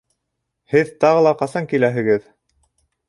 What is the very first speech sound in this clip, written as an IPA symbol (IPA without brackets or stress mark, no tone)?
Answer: h